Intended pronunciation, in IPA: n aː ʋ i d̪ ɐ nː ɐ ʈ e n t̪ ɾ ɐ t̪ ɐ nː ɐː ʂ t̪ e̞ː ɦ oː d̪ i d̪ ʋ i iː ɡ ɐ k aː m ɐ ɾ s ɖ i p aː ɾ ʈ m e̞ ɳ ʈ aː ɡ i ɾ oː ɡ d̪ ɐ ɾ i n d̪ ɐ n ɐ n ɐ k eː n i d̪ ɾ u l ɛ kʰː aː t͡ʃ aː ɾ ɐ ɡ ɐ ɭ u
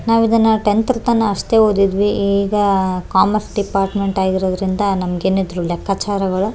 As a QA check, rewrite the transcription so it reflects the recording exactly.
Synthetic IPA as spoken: n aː ʋ i d̪ ɐ nː ɐ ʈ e n t̪ ɾ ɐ t̪ ɐ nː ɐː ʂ t̪ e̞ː ɦ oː d̪ i d̪ ʋ i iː ɡ ɐ k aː m ɐ ɾ s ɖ i p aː ɾ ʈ m e̞ ɳ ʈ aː ɡ i ɾ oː d̪ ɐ ɾ i n d̪ ɐ n ɐ m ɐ ɡ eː n i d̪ ɾ u l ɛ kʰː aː t͡ʃ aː ɾ ɐ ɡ ɐ ɭ u